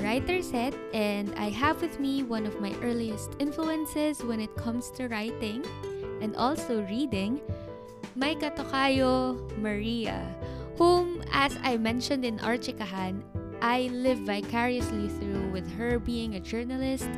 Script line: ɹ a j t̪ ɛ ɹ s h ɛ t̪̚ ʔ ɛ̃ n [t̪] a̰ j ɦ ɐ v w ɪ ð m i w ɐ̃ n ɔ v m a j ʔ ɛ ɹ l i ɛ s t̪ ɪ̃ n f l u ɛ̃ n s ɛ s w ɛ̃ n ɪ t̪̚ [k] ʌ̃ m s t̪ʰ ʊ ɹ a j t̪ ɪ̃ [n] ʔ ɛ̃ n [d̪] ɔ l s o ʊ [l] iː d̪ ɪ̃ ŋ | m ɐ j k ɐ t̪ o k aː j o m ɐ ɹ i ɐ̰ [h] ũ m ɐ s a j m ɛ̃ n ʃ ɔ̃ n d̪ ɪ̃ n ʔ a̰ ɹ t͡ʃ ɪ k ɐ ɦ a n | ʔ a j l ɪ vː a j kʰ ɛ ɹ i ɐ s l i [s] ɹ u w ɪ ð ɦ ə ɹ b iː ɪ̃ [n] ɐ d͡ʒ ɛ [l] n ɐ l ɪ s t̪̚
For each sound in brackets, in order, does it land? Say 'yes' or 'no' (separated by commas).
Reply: no, no, no, yes, no, yes, no, no, no